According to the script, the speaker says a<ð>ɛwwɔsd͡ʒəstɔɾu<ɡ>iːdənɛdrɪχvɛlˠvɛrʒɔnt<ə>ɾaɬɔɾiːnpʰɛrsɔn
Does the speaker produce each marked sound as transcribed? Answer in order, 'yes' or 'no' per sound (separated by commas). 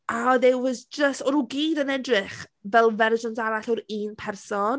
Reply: yes, yes, no